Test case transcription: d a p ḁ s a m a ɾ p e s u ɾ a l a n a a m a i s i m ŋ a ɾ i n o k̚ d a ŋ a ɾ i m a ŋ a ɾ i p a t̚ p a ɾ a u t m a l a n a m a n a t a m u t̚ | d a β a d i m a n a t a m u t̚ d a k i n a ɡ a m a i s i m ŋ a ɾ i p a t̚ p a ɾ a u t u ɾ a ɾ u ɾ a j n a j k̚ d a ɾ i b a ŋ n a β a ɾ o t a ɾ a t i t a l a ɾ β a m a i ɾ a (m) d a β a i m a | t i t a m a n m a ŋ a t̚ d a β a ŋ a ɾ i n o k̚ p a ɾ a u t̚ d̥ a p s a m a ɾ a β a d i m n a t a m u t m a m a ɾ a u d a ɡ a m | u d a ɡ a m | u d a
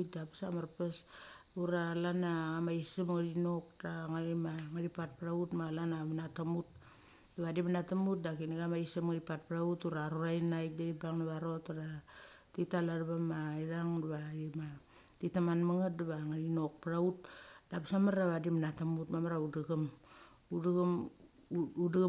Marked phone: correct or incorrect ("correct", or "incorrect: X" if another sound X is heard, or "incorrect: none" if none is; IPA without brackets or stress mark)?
incorrect: ŋ